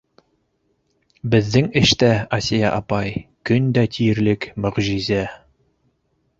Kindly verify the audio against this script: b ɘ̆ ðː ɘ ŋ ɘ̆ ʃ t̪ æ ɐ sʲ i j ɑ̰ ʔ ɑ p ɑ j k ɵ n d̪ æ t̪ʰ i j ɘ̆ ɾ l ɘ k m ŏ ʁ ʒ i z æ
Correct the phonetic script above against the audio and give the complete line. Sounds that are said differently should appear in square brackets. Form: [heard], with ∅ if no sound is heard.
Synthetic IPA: b ɘ̆ ðː ɘ ŋ ɘ̆ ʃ t̪ æ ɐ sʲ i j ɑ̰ ʔ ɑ p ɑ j k ɵ n d̪ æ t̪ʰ i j ɘ̆ ɾ l ɘ k m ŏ ʁ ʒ i z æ